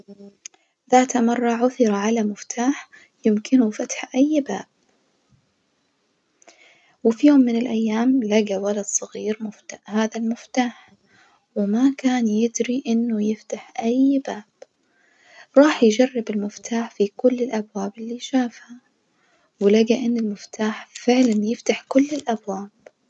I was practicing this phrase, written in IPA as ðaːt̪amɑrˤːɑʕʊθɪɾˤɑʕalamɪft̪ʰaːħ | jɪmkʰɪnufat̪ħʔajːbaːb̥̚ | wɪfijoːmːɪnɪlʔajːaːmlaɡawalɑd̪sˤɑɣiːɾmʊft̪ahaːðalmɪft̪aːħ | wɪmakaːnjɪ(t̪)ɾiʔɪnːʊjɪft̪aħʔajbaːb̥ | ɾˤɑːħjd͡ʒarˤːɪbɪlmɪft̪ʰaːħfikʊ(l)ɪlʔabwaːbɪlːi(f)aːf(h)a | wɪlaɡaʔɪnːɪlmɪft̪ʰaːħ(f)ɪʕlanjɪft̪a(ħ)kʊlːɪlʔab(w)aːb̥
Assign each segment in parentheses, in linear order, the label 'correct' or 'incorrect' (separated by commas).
incorrect, incorrect, incorrect, correct, correct, correct, correct